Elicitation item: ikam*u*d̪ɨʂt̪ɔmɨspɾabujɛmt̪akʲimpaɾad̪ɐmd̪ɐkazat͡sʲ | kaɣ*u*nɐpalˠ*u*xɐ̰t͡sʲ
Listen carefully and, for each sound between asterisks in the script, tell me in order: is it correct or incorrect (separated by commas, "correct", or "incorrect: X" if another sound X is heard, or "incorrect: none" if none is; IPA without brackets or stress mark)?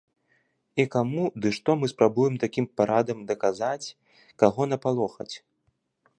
correct, incorrect: ɔ, incorrect: ɔ